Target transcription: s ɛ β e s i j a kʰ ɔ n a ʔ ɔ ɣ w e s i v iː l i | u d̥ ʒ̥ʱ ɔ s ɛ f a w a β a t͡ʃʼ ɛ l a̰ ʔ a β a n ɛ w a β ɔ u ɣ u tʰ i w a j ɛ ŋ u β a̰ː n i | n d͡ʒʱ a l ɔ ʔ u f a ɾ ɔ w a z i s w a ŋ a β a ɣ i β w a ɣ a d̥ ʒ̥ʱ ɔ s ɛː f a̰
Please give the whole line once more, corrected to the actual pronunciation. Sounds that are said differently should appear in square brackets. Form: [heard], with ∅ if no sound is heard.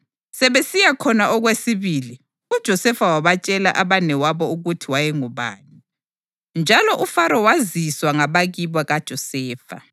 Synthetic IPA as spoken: s ɛ β e s i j a kʰ ɔ n a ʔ ɔ ɣ w e s i [β] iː l i | u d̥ ʒ̥ʱ ɔ s ɛ f a w a β a t͡ʃʼ ɛ l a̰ ʔ a β a n ɛ w a β ɔ u ɣ u tʰ i w a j ɛ ŋ u β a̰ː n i | n d͡ʒʱ a l ɔ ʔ u f a ɾ ɔ w a z i s w a ŋ a β a ɣ i β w a ɣ a d̥ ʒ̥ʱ ɔ s ɛː f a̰